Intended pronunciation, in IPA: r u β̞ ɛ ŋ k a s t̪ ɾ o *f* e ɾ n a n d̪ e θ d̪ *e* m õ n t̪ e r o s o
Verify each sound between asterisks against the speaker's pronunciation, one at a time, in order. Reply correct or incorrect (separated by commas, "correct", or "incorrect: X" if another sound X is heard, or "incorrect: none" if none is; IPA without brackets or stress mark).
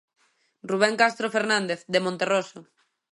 correct, correct